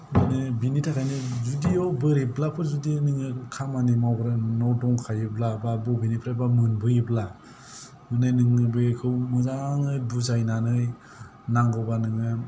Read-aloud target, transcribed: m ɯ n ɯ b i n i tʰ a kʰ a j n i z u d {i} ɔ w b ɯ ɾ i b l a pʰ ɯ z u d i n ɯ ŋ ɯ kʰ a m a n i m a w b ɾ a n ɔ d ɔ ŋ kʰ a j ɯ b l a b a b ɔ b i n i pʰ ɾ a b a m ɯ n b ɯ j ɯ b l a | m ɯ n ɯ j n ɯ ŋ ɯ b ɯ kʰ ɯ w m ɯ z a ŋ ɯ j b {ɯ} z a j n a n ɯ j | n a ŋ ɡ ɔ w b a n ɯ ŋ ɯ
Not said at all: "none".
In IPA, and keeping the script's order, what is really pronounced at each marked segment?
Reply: i, u

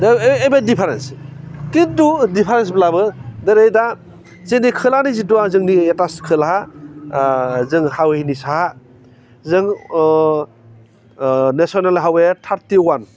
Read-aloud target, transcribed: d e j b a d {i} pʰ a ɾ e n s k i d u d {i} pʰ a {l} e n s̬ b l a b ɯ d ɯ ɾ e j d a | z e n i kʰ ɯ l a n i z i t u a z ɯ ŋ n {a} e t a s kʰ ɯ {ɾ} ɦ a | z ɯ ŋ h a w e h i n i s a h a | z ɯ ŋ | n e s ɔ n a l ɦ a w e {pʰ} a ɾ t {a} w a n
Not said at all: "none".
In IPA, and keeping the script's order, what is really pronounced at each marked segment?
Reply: i, i, ɾ, i, l, tʰ, i

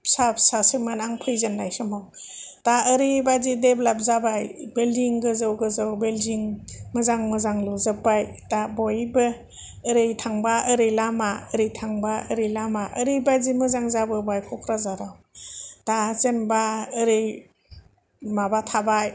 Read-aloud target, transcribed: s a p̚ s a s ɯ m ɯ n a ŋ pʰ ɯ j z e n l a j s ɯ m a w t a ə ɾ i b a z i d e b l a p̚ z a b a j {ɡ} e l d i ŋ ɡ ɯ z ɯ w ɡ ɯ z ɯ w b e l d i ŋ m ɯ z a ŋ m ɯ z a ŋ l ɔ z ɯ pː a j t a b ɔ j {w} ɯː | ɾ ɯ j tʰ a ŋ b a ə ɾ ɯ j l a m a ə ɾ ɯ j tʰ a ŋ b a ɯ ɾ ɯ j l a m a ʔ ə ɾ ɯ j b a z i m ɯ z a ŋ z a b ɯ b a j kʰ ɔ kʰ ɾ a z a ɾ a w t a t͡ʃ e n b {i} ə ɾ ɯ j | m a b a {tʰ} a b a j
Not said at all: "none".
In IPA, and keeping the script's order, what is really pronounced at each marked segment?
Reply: b, b, a, tʰ

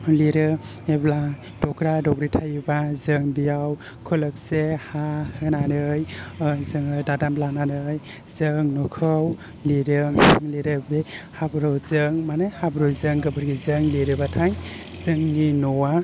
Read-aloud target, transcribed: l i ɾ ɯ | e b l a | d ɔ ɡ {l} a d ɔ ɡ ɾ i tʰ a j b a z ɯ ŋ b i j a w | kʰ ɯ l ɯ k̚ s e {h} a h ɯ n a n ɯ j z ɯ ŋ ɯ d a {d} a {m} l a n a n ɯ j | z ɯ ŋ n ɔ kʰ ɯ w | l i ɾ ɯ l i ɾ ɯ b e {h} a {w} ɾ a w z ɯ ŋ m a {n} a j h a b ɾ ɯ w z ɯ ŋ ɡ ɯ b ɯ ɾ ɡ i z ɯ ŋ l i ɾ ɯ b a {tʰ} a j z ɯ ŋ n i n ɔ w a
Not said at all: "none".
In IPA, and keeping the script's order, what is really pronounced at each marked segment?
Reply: ɾ, h, d, m, h, b, n, tʰ

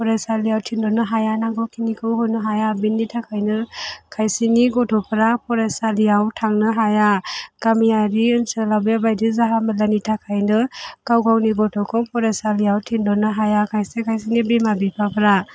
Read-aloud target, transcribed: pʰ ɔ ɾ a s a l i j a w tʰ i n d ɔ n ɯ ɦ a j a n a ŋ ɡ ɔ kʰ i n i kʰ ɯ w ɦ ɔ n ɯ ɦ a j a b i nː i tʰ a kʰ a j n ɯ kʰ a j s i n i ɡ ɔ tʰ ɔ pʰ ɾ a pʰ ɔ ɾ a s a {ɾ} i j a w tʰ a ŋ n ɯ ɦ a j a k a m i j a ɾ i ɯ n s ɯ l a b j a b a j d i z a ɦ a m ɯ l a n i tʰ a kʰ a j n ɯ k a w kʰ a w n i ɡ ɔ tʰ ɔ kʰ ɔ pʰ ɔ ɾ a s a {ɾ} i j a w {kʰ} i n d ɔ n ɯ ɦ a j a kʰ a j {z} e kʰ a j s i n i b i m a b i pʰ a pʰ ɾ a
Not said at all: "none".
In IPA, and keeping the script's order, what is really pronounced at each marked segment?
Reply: l, l, tʰ, s

